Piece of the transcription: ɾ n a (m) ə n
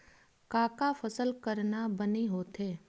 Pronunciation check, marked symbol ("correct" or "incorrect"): incorrect